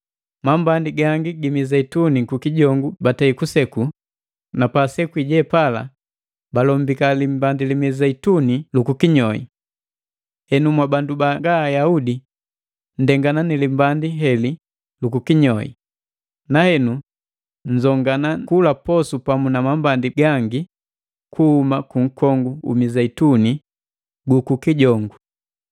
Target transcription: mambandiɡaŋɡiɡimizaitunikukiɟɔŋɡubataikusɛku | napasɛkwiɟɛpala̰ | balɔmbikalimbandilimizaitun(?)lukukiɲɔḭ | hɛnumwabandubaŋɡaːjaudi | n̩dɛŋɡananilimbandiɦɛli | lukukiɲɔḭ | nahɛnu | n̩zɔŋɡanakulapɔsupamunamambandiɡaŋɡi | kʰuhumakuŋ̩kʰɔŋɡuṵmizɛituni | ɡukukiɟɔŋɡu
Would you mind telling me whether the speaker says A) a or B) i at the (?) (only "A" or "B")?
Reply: B